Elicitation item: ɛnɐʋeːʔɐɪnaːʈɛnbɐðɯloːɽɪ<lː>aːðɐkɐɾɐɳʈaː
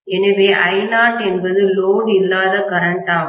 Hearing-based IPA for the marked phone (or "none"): lː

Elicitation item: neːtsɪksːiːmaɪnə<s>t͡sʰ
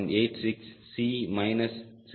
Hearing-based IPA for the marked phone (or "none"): s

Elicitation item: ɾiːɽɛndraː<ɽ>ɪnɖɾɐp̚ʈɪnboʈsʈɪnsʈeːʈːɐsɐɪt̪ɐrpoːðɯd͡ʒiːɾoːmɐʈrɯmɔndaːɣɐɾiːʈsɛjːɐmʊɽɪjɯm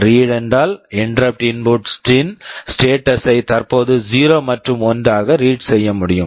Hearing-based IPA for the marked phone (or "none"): l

